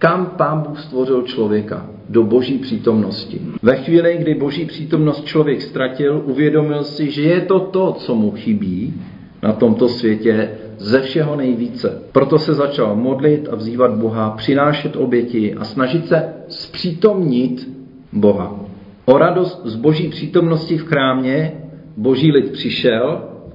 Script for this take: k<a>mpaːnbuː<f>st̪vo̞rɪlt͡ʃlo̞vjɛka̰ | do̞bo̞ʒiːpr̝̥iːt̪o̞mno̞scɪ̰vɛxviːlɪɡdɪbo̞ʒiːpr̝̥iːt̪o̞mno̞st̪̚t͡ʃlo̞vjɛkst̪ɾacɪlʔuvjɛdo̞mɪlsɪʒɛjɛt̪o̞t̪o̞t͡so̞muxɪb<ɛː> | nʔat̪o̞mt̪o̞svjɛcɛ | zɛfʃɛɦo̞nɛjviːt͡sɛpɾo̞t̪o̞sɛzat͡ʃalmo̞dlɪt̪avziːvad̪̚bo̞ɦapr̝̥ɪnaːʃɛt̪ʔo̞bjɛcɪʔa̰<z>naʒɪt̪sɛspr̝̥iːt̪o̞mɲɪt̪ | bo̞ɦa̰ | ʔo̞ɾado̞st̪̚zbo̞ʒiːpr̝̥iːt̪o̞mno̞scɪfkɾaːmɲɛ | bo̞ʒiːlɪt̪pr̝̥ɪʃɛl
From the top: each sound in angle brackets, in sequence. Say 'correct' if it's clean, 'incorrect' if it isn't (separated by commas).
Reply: correct, incorrect, incorrect, incorrect